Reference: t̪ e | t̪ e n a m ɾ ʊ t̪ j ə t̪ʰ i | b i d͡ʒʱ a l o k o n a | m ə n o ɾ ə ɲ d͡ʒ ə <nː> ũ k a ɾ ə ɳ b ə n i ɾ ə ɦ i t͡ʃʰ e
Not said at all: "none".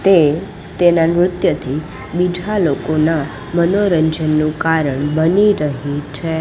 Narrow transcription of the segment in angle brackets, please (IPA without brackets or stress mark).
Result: nː